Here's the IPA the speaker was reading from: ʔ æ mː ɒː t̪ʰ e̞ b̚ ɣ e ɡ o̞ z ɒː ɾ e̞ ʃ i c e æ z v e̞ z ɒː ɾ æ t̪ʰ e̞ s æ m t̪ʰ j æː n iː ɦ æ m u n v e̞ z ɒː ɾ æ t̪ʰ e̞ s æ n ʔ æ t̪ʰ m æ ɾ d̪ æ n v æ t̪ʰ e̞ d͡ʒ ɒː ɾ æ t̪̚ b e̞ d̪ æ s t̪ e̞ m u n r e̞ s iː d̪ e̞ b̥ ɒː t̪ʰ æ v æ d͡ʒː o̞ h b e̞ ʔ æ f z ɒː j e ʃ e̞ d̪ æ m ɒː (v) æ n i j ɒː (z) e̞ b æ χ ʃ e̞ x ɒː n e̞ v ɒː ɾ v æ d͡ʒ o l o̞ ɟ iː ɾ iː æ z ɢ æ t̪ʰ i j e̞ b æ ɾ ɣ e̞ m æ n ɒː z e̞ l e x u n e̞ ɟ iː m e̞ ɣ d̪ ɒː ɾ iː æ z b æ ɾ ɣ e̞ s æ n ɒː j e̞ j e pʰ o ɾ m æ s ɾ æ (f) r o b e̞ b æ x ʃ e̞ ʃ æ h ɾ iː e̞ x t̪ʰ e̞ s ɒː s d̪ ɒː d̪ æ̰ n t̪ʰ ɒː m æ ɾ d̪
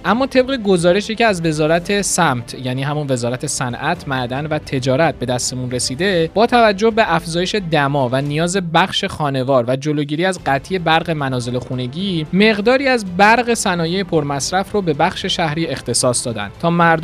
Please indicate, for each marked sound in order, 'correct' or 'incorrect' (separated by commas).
correct, correct, correct